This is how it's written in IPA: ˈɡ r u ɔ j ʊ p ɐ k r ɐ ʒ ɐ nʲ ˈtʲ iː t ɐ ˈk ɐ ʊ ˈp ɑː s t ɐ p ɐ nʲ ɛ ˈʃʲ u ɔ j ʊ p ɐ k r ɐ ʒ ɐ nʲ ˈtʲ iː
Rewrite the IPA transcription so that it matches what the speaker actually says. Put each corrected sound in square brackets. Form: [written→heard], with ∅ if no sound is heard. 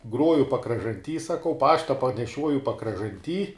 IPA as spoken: ˈɡ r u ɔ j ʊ p ɐ k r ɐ ʒ ɐ nʲ ˈtʲ iː [t→s] ɐ ˈk ɐ ʊ ˈp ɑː [s→ʃ] t ɐ p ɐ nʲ ɛ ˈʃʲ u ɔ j ʊ p ɐ k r ɐ ʒ ɐ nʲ ˈtʲ iː